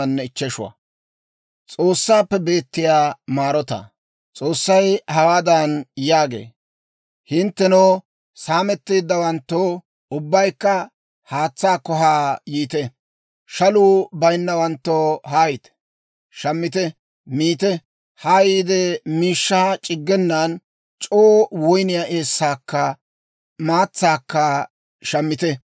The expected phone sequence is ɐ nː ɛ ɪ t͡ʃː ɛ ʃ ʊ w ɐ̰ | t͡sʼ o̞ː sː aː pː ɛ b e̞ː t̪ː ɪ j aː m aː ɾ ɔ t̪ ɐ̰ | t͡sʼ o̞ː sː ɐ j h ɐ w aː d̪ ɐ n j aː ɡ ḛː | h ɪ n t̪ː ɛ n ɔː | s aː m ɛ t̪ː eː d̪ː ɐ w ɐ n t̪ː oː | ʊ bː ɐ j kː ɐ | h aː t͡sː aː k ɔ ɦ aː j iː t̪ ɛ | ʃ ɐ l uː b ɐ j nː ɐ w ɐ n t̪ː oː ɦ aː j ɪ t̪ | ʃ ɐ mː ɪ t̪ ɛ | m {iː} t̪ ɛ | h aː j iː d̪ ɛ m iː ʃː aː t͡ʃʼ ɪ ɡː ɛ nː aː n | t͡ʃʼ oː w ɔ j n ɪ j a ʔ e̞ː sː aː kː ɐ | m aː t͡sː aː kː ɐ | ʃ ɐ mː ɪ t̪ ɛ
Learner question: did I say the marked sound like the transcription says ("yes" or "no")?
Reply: yes